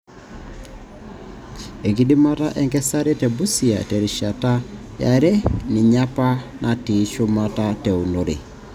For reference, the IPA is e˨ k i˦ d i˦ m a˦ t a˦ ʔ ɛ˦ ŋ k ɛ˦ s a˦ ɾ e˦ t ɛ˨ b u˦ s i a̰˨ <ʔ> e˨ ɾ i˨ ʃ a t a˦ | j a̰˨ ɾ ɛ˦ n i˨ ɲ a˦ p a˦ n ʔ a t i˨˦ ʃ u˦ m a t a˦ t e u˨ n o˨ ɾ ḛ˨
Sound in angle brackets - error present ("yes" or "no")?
yes